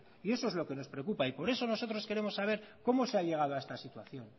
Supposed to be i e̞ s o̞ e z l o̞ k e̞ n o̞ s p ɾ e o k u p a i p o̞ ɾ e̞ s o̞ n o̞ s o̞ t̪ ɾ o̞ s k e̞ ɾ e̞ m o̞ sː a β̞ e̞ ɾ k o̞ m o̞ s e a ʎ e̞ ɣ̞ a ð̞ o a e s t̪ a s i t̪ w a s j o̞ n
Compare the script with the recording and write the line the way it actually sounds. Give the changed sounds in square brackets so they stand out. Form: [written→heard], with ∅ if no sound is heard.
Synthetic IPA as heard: i e̞ s o̞ e z l o̞ k e̞ n o̞ s p ɾ e o k u p a i p o̞ ɾ e̞ s o̞ n o̞ s o̞ t̪ ɾ o̞ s k e̞ ɾ e̞ m o̞ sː a β̞ e̞ ɾ k o̞ m o̞ s e a ʎ e̞ ɣ̞ a ð̞ o a e s t̪ a s i t̪ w a [s→θ] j o̞ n